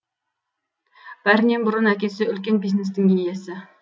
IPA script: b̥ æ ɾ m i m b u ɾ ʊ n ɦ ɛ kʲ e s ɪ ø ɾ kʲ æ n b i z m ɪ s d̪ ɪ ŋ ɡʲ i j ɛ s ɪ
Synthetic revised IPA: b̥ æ ɾ n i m b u ɾ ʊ n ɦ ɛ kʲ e s ɪ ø l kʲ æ n b i z n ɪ s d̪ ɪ ŋ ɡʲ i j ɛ s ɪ